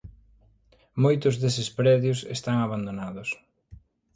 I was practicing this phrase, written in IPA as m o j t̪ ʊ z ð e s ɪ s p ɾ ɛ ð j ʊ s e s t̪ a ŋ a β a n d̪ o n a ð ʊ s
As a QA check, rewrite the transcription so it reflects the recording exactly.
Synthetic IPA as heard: m o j t̪ ʊ z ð e s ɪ s p ɾ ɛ ð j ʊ s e s t̪ a ŋ a β a n d̪ o n a ð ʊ s